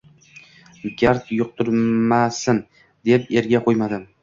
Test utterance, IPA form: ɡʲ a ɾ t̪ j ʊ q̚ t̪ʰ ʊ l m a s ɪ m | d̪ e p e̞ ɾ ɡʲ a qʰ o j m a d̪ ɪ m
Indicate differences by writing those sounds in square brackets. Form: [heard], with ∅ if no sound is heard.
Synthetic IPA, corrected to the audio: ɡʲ a ɾ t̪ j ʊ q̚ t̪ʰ ʊ [ɾ] m a s ɪ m | d̪ e p e̞ ɾ ɡʲ a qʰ o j m a d̪ ɪ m